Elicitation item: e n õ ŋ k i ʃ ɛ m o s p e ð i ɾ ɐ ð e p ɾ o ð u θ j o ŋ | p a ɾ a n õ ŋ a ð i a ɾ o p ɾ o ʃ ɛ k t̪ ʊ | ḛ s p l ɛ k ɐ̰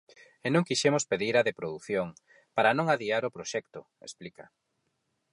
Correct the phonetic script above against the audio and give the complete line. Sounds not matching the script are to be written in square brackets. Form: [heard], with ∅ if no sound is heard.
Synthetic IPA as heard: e n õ ŋ k i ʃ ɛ m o s p e ð i ɾ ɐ ð e p ɾ o ð u θ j o ŋ | p a ɾ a n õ ŋ a ð i a ɾ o p ɾ o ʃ ɛ k t̪ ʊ | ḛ s p l [i] k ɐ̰

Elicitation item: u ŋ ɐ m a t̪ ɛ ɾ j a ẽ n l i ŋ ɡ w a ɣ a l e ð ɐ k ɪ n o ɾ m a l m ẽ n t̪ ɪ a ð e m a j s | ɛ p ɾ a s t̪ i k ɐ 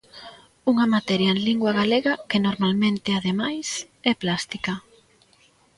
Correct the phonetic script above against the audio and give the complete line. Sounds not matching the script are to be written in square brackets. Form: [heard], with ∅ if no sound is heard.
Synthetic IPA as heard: u ŋ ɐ m a t̪ ɛ ɾ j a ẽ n l i ŋ ɡ w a ɣ a l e [ɣ] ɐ k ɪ n o ɾ m a l m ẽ n t̪ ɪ a ð e m a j s | ɛ p [l] a s t̪ i k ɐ

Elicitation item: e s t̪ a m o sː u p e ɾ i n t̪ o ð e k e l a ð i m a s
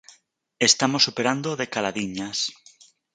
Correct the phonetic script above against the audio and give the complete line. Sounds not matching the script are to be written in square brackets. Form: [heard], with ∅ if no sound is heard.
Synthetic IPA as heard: e s t̪ a m o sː u p e ɾ [a] n [d̪] o ð e k [a] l a ð i [ɲ] a s

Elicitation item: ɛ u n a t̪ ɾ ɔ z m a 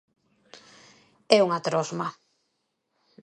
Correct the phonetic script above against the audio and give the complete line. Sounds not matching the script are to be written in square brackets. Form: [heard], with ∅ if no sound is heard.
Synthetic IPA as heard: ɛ u [ŋ] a t̪ ɾ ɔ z m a

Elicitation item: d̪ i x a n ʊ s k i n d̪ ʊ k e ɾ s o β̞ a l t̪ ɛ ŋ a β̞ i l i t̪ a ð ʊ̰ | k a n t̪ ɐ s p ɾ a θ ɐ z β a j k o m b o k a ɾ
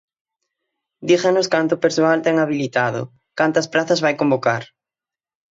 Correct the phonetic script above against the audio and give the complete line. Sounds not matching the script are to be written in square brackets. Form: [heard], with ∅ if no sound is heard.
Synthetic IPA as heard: d̪ i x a n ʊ s k [a] n [t̪] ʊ [p] e ɾ s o [∅] a l t̪ ɛ ŋ a β̞ i l i t̪ a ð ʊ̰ | k a n t̪ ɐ s p ɾ a θ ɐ z β a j k o m b o k a ɾ

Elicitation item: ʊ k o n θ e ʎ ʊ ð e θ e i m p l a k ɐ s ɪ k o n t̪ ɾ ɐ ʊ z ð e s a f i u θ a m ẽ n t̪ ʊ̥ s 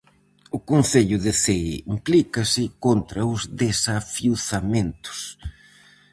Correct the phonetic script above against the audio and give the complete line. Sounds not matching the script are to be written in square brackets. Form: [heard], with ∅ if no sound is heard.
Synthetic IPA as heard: ʊ k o n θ e ʎ ʊ ð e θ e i m p l [i] k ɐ s ɪ k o n t̪ ɾ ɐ ʊ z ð e s a f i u θ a m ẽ n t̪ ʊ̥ s

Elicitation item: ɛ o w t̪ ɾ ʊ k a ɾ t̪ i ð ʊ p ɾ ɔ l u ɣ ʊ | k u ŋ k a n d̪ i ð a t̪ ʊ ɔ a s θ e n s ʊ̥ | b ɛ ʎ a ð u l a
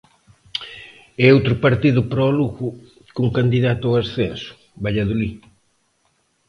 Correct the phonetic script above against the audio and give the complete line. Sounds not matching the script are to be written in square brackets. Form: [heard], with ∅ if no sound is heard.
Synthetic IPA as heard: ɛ o w t̪ ɾ ʊ [p] a ɾ t̪ i ð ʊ p ɾ ɔ l u ɣ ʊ | k u ŋ k a n d̪ i ð a t̪ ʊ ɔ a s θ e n s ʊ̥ | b [a] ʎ a ð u l [i]

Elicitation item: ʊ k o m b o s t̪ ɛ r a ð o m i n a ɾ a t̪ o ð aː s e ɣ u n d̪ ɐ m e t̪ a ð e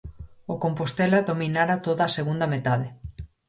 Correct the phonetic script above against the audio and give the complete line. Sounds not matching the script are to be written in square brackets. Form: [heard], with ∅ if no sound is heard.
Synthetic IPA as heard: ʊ k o m [p] o s t̪ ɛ [l] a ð o m i n a ɾ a t̪ o ð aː s e ɣ u n d̪ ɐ m e t̪ a ð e

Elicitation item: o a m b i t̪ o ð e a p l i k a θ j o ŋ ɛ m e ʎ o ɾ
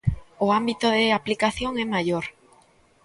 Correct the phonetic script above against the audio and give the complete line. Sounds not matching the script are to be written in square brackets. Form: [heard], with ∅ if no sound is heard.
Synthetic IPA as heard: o a m b i t̪ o ð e a p l i k a θ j o ŋ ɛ m [a] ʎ o ɾ

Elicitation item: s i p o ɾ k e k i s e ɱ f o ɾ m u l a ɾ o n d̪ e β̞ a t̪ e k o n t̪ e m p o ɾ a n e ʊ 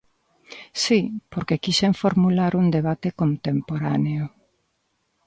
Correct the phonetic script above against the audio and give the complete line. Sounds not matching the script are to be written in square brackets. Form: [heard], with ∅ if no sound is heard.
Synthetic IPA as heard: s i p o ɾ k e k i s e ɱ f o ɾ m u l a ɾ [u] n d̪ e β̞ a t̪ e k o n t̪ e m p o ɾ a n e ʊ

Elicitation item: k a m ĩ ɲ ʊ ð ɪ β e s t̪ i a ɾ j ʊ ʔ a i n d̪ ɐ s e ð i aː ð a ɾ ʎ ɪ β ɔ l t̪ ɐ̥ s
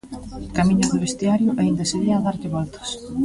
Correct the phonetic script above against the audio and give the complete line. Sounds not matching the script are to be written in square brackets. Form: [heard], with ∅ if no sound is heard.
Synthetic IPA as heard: k a m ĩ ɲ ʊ ð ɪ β e s t̪ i a ɾ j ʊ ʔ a i n d̪ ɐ s e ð i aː ð a ɾ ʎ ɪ β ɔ l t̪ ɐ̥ s

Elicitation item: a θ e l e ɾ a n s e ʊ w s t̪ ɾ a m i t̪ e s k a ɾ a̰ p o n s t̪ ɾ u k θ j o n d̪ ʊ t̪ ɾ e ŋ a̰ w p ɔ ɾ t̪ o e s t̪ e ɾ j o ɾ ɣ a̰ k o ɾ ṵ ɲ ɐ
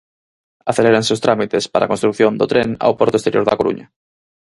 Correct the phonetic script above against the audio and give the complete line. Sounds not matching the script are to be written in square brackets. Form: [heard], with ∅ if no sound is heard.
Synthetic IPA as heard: a θ e l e ɾ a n s e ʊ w s t̪ ɾ a m i t̪ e s [p] a ɾ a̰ [k] o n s t̪ ɾ u k θ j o n d̪ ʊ t̪ ɾ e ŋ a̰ w p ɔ ɾ t̪ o e s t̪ e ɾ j o ɾ [ð] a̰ k o ɾ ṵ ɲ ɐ

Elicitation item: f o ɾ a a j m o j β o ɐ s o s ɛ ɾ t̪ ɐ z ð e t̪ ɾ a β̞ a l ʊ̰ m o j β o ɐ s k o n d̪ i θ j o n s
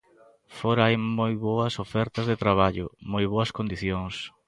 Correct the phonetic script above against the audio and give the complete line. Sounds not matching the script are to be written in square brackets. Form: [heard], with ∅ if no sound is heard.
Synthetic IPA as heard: f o ɾ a a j m o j β o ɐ s o [f] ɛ ɾ t̪ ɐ z ð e t̪ ɾ a β̞ a [ʎ] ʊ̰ m o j β o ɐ s k o n d̪ i θ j o [ŋ] s

